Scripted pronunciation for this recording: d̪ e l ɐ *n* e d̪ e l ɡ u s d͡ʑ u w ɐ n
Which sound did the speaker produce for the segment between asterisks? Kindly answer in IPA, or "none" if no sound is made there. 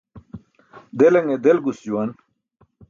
ŋ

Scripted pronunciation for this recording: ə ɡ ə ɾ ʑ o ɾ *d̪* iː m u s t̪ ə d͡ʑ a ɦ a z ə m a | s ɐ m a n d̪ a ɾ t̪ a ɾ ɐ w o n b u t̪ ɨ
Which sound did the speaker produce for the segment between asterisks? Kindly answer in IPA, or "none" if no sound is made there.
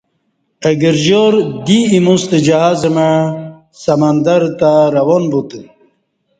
d̪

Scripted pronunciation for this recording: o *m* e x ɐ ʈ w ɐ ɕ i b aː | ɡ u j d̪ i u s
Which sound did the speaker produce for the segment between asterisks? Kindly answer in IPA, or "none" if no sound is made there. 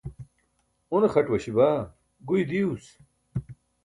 n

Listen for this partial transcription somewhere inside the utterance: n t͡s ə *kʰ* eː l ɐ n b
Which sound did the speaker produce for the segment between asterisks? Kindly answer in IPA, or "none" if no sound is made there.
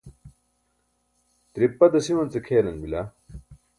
kʰ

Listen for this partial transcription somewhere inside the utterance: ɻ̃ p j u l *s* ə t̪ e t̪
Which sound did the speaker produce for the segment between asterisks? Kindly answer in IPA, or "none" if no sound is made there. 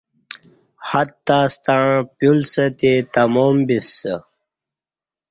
s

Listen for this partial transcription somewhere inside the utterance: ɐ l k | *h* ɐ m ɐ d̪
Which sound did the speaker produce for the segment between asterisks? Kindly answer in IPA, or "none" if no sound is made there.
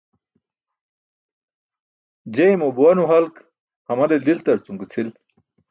h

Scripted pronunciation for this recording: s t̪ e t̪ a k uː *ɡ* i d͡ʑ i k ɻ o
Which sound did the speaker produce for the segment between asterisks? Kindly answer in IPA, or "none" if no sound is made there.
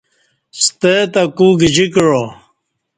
ɡ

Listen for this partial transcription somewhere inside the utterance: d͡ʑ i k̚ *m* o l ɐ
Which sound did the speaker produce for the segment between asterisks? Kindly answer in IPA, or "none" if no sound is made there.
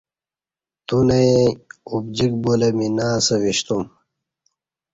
b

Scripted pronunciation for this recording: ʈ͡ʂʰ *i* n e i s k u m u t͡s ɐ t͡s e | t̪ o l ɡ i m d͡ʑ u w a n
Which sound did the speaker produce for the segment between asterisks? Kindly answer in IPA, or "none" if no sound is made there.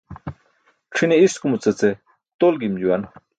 i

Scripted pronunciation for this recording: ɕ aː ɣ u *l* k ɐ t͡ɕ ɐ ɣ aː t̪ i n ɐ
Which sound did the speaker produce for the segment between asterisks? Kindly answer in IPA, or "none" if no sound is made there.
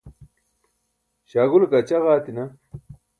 l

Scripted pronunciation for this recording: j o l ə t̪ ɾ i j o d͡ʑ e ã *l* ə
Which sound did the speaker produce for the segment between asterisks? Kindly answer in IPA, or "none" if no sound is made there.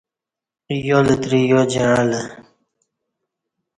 l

